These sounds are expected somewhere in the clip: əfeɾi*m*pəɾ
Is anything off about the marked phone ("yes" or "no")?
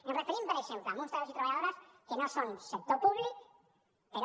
no